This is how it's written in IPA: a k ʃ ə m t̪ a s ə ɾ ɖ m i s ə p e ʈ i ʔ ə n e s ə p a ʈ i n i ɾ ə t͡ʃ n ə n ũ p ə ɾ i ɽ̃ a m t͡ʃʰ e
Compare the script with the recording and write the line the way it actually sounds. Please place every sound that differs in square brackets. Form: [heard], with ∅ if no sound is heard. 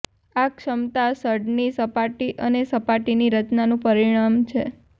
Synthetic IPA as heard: a k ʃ ə m t̪ a s ə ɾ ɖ [n] i s ə p [a] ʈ i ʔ ə n e s ə p a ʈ i n i ɾ ə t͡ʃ n [a] n ũ p ə ɾ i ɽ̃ a m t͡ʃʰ e

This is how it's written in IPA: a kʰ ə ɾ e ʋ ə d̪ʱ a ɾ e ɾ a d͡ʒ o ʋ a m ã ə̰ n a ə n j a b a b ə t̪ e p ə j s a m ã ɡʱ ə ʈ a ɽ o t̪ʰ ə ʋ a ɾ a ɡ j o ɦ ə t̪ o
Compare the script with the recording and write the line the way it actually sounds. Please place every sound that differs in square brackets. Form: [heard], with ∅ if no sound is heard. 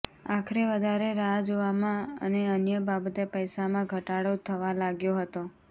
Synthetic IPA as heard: a kʰ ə ɾ e ʋ ə d̪ʱ a ɾ e ɾ a d͡ʒ o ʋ a m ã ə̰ n [e] ə n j [ə] b a b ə t̪ e p ə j s a m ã ɡʱ ə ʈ a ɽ o t̪ʰ ə ʋ a [l] a ɡ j o ɦ ə t̪ o

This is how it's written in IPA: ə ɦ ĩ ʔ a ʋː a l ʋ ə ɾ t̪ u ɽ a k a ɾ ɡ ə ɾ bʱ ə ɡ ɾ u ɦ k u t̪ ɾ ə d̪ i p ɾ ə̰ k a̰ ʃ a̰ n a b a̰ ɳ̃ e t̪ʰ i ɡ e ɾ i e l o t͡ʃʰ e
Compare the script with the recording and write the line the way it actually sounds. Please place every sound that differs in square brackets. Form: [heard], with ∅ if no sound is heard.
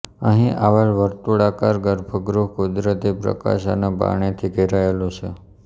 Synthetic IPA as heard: ə ɦ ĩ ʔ a [ʋ] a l ʋ ə ɾ t̪ u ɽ a k a ɾ ɡ ə ɾ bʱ ə ɡ ɾ u ɦ k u [d̪] ɾ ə [t̪] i p ɾ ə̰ k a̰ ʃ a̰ n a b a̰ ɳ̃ e t̪ʰ i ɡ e ɾ [a] e l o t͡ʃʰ e

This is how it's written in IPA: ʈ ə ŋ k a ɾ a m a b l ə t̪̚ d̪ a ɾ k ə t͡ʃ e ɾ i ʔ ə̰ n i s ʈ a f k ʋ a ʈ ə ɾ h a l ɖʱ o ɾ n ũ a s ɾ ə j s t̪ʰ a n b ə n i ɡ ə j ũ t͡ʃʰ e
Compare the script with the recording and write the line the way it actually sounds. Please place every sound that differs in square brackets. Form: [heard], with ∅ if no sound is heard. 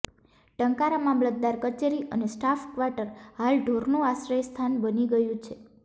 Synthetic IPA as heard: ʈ ə ŋ k a ɾ a m a [m] l ə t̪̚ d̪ a ɾ k ə t͡ʃ e ɾ i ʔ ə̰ n [e] s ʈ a f k ʋ a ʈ ə ɾ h a l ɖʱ o ɾ n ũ a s ɾ ə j s t̪ʰ a n b ə n i ɡ ə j ũ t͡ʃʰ e

